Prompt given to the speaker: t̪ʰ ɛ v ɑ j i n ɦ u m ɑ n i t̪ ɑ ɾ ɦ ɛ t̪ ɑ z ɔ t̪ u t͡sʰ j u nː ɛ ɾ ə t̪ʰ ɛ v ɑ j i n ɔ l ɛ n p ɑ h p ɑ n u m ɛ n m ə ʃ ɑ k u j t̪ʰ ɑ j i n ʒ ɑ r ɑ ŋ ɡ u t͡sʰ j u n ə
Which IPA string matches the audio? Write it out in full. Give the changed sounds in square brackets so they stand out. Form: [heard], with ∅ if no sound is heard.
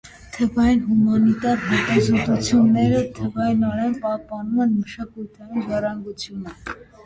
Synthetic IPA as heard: t̪ʰ ɛ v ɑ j i n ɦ u m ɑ n i t̪ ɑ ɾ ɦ ɛ t̪ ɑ z ɔ t̪ u t͡sʰ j u nː ɛ ɾ ə t̪ʰ ɛ v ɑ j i n ɔ [ɾ] ɛ n p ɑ h p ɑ n u m ɛ n m ə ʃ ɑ k u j t̪ʰ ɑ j i n ʒ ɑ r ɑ ŋ ɡ u t͡sʰ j u n ə